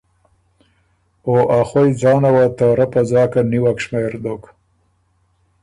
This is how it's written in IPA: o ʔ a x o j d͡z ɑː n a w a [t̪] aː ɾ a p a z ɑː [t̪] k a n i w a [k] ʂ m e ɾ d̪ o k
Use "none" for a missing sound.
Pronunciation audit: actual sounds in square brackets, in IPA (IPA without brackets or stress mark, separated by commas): t̪, none, k